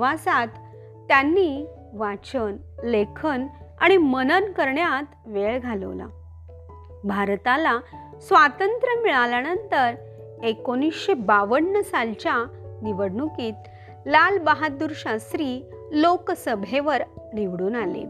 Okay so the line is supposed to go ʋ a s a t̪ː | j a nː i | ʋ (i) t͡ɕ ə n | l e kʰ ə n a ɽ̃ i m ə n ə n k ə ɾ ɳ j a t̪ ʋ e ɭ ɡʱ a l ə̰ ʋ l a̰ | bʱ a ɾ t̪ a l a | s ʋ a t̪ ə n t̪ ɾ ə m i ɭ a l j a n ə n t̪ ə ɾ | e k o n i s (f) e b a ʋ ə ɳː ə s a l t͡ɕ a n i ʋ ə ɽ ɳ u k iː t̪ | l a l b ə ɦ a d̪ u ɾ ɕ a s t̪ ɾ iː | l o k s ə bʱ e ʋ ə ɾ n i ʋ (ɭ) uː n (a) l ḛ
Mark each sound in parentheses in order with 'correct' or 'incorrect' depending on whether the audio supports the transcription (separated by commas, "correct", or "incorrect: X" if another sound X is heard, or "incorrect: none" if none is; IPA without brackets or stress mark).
incorrect: a, incorrect: ɕ, incorrect: ɽ, correct